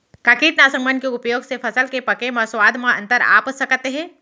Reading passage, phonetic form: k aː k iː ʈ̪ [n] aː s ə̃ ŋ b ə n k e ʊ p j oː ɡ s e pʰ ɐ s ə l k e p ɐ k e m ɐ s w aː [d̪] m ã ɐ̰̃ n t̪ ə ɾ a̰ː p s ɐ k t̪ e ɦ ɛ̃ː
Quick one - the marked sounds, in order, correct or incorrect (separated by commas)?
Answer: correct, correct